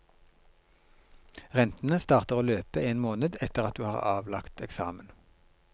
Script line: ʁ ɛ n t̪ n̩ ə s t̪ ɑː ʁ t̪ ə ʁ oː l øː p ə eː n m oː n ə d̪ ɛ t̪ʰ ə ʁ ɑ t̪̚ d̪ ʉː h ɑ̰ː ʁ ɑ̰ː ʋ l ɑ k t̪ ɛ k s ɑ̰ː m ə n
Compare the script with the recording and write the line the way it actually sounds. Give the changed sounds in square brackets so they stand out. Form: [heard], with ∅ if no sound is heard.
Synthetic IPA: ʁ ɛ n t̪ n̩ ə s t̪ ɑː ʁ t̪ ə ʁ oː l øː p ə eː n m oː n ə d̪ ɛ [t̪] ə ʁ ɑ t̪̚ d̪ ʉː h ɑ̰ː ʁ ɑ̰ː ʋ l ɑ k t̪ ɛ k s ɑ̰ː m ə n

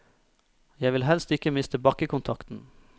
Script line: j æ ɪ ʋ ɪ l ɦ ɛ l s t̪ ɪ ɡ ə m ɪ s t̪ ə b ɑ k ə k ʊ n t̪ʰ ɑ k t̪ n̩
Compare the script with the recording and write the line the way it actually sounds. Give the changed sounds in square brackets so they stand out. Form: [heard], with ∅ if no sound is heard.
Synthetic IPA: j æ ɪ ʋ ɪ l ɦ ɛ l s t̪ ɪ [k] ə m ɪ s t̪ ə b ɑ k ə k ʊ n t̪ʰ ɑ k t̪ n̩

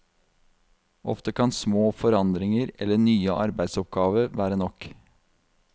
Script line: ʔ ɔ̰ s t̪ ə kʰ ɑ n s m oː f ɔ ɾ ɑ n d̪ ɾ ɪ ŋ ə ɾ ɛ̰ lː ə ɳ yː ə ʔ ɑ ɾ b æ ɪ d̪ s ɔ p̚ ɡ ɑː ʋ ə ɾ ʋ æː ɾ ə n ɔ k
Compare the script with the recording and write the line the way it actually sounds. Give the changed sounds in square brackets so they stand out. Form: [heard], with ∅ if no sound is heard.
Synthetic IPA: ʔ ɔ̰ [f] t̪ ə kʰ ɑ n s m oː f ɔ ɾ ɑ n d̪ ɾ ɪ ŋ ə ɾ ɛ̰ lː ə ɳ yː ə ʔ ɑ ɾ b æ ɪ d̪ s ɔ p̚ ɡ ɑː ʋ ə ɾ ʋ æː ɾ ə n ɔ k

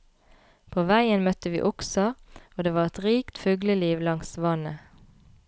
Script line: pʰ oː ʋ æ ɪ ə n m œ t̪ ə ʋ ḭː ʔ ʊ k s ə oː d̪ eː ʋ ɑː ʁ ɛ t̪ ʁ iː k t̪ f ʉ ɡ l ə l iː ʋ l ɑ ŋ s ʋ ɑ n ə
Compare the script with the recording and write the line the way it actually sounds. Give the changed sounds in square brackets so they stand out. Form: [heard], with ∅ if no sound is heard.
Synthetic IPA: pʰ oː ʋ æ ɪ ə n m œ t̪ ə ʋ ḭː ʔ ʊ k s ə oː d̪ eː ʋ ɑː ʁ ɛ t̪ ʁ iː k t̪ f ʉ ɡ l ə l iː ʋ l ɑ ŋ s ʋ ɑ n ə

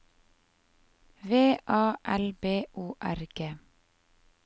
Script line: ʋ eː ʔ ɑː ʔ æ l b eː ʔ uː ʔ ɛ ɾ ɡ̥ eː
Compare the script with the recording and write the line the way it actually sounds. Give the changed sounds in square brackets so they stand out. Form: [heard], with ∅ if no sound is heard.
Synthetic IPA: ʋ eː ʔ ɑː ʔ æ l b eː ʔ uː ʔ [æ] ɾ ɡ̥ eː

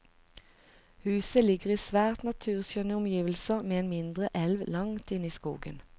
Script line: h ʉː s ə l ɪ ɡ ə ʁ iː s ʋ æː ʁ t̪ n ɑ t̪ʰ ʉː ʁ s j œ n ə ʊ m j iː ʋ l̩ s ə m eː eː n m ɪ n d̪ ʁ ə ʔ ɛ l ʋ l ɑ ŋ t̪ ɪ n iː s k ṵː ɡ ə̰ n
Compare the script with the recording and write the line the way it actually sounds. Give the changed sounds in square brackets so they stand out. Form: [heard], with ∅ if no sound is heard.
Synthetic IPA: h ʉː s ə l ɪ ɡ ə ʁ iː s ʋ æː ʁ t̪ n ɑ t̪ʰ ʉː ʁ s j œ n ə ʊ m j iː ʋ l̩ s ə m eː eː n m ɪ n d̪ ʁ ə ʔ ɛ l ʋ l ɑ ŋ t̪ ɪ n iː s k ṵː ɡ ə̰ n

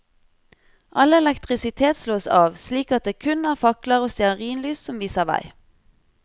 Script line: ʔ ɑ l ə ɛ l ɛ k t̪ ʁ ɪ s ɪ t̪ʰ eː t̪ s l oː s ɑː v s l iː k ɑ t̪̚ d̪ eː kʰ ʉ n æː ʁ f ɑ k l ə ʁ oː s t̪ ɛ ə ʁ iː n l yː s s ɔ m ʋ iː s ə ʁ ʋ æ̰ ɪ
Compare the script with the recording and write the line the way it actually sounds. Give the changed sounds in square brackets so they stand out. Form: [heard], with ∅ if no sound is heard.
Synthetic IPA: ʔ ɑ l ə ɛ l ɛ k t̪ ʁ ɪ s ɪ t̪ʰ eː t̪ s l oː s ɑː [ʋ] s l iː k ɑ t̪̚ d̪ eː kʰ ʉ n æː ʁ f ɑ k l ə ʁ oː s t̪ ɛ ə ʁ iː n l yː s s ɔ m ʋ iː s ə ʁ ʋ æ̰ ɪ

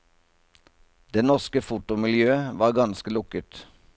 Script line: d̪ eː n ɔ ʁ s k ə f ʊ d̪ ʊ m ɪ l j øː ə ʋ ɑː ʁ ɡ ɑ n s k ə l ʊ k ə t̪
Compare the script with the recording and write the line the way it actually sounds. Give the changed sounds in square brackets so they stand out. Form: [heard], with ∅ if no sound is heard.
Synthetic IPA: d̪ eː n ɔ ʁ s k ə f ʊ [t̪] ʊ m ɪ l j øː ə ʋ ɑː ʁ ɡ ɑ n s k ə l ʊ k ə t̪

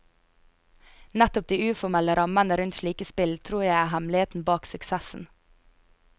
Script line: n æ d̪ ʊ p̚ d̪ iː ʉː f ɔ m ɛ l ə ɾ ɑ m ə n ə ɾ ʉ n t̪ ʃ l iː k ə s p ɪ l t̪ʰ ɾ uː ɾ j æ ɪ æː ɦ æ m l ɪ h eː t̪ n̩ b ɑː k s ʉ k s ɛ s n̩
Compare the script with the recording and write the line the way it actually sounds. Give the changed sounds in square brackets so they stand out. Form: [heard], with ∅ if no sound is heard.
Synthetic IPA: n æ [t̪] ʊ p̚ d̪ iː ʉː f ɔ m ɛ l ə ɾ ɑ m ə n ə ɾ ʉ n t̪ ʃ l iː k ə s p ɪ l t̪ʰ ɾ uː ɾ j æ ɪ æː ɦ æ m l ɪ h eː t̪ n̩ b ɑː k s ʉ k s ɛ s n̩

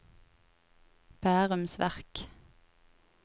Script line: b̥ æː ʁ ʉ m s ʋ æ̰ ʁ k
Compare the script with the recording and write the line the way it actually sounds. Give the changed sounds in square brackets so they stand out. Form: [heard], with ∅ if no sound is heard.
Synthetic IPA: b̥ æː ʁ ʉ m s ʋ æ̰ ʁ k

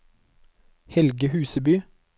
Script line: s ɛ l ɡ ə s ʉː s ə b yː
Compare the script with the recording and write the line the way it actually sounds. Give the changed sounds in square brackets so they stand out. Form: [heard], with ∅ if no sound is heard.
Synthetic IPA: [h] ɛ l ɡ ə [h] ʉː s ə b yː

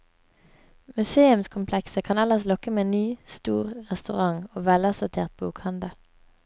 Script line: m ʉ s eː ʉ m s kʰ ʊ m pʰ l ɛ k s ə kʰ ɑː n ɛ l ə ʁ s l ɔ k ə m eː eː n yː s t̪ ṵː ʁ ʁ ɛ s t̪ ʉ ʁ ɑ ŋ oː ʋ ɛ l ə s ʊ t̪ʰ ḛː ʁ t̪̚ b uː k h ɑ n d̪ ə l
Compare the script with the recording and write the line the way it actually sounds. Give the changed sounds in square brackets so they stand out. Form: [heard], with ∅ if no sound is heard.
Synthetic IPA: m ʉ s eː ʉ m s kʰ ʊ m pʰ l ɛ k s ə kʰ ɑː n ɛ l ə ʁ s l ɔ k ə m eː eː n yː s t̪ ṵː ʁ ʁ ɛ s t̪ ʉ ʁ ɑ ŋ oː ʋ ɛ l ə s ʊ t̪ʰ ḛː ʁ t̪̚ b uː k h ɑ n d̪ ə l

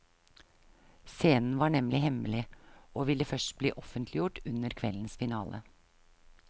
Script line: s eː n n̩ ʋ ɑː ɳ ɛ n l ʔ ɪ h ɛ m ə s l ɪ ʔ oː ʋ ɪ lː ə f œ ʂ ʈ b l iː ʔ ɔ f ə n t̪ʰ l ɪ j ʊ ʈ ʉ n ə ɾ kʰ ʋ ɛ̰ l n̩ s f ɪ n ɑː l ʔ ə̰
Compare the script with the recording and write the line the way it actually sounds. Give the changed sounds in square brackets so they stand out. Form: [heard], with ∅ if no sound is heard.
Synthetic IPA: s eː n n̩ ʋ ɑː ɳ ɛ [m] l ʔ ɪ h ɛ m ə [∅] l ɪ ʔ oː ʋ ɪ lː ə f œ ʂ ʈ b l iː ʔ ɔ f ə n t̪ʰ l ɪ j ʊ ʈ ʉ n ə ɾ kʰ ʋ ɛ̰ l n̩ s f ɪ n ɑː l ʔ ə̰

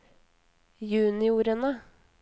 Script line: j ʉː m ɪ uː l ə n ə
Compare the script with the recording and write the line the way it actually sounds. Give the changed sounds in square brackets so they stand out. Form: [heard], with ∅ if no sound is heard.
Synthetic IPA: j ʉː [n] ɪ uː [ɾ] ə n ə

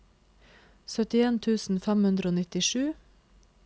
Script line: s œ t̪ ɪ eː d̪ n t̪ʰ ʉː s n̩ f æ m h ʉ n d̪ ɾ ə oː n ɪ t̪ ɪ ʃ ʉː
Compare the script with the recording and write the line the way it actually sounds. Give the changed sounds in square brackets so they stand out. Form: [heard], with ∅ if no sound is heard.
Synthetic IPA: s œ t̪ ɪ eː [∅] n t̪ʰ ʉː s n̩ f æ m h ʉ n d̪ ɾ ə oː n ɪ t̪ ɪ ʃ ʉː

